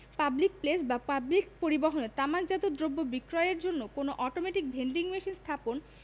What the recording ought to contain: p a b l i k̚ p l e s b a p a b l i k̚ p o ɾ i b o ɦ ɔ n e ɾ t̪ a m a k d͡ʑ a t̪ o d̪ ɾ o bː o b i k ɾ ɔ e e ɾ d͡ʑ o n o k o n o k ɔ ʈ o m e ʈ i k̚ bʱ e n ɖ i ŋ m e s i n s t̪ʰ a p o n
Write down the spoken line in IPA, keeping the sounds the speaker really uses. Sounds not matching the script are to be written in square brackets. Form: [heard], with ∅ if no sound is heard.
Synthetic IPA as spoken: p a b l i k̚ p l e s b a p a b l i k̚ p o ɾ i b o ɦ [o] n e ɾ t̪ a m a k d͡ʑ a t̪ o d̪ ɾ o bː o b i k ɾ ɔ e e ɾ d͡ʑ o [nː] o k o n o [ʔ] ɔ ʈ o m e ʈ i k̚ bʱ e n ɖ i ŋ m e [ʃ] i n s t̪ʰ a p o n